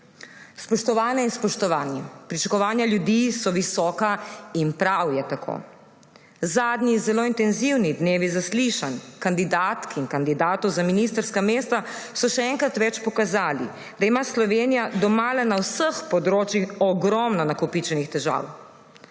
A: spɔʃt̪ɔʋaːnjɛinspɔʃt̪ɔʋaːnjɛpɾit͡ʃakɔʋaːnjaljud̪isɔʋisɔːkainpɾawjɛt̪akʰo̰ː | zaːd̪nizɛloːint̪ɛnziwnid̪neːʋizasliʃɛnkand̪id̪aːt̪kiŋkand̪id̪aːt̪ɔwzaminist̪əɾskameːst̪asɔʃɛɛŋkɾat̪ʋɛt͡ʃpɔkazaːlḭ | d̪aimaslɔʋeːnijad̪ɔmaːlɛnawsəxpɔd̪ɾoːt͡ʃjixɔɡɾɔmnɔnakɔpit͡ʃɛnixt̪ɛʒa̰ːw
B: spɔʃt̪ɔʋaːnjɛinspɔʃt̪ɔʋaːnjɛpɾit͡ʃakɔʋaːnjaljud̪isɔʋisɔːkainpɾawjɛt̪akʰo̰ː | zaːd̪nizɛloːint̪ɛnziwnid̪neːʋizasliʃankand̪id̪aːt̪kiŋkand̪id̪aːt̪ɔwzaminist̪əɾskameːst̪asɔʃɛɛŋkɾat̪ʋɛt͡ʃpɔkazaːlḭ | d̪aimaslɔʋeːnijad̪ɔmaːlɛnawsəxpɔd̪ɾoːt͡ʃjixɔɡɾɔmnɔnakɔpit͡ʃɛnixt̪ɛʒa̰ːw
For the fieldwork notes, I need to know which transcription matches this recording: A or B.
B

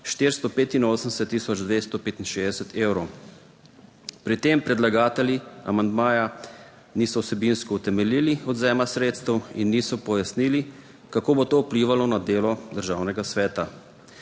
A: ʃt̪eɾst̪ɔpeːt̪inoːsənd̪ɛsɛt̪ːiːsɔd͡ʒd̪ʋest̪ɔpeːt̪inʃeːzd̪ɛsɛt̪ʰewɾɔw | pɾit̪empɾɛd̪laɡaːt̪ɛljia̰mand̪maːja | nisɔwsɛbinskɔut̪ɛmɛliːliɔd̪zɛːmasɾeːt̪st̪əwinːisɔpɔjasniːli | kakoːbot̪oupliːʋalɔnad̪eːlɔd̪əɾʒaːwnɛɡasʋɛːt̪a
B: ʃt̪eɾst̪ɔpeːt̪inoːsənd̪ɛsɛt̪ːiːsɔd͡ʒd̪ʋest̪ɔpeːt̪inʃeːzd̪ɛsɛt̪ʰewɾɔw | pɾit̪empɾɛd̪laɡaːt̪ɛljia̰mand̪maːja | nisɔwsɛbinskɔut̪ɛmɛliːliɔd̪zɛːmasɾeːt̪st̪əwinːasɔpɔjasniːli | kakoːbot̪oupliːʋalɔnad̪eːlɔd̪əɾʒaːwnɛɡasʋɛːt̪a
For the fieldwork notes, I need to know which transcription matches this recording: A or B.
A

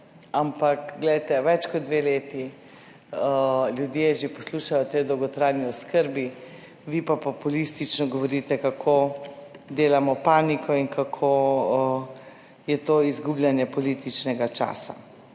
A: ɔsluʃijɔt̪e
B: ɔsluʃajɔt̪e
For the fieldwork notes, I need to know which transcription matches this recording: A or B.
B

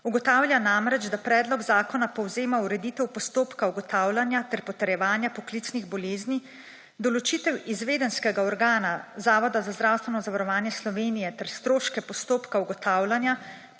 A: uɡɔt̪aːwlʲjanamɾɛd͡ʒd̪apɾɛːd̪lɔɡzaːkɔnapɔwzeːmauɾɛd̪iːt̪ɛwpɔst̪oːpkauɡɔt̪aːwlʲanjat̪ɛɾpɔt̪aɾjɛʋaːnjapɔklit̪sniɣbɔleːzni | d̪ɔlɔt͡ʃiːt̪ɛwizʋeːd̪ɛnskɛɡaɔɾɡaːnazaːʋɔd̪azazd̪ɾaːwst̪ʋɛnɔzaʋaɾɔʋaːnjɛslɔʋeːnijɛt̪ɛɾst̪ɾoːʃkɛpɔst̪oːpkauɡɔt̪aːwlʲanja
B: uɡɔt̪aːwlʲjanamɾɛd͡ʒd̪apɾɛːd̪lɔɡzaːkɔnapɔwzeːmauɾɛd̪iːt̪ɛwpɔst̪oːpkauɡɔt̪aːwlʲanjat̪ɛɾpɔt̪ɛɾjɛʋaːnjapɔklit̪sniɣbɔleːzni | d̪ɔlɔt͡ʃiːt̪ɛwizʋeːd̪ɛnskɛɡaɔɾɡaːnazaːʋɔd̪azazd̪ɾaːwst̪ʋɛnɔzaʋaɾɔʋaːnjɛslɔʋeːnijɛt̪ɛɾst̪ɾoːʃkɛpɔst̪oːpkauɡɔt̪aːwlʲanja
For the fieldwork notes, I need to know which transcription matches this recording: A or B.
B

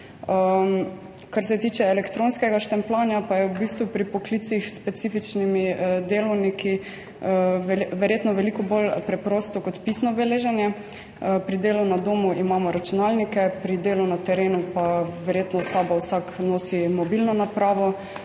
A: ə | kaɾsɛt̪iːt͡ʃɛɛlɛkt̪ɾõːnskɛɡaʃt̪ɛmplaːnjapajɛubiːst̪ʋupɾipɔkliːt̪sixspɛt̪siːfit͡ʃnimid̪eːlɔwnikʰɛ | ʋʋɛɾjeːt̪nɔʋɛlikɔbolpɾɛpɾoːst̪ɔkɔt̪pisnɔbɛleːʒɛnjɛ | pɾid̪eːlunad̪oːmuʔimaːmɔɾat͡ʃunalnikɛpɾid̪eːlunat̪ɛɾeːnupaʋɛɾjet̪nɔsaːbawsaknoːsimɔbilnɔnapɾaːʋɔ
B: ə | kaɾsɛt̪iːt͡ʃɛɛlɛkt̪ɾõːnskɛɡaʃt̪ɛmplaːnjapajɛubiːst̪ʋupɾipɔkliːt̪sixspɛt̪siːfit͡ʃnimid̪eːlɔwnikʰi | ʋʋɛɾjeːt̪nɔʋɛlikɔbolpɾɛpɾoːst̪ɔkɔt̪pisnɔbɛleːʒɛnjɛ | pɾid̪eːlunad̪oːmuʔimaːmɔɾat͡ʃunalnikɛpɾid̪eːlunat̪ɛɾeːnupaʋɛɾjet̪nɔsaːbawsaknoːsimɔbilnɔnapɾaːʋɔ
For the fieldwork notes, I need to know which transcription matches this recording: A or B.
B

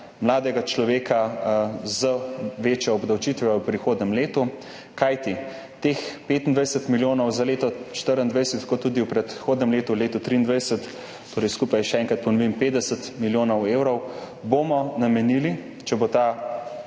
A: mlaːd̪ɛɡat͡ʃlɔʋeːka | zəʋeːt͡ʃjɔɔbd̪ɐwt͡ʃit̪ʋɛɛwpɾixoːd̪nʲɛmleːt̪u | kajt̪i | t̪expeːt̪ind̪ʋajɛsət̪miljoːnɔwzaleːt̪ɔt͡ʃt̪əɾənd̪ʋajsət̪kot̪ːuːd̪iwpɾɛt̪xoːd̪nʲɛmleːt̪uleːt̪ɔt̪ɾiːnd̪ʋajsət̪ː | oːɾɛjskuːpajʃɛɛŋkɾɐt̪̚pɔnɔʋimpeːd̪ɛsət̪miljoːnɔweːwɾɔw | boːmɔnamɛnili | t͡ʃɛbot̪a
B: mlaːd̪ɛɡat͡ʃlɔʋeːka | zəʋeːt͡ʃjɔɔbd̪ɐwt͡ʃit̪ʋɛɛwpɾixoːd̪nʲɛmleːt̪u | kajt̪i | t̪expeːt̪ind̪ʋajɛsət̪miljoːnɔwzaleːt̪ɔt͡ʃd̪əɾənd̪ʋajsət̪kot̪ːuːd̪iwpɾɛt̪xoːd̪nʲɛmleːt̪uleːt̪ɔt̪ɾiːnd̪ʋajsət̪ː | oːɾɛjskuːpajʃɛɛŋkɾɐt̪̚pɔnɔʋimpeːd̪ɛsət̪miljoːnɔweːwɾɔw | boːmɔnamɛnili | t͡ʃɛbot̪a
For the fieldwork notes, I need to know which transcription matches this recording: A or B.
A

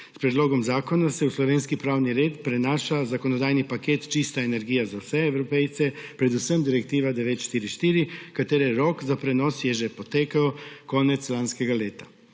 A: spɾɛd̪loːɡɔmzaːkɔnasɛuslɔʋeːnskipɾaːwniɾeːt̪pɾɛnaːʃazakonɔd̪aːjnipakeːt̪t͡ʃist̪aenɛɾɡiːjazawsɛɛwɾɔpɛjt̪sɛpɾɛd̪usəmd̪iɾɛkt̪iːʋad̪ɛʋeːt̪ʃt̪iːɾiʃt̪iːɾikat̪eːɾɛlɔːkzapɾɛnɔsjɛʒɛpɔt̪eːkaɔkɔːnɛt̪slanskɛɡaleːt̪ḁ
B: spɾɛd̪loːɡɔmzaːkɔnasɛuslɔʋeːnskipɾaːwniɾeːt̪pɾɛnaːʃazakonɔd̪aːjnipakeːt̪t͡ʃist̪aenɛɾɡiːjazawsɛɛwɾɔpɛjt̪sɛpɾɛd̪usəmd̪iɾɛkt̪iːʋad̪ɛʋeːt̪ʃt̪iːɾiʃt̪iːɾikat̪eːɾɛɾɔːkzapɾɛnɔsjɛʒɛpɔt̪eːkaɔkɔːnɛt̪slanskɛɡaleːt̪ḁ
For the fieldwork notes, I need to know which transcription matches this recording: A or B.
B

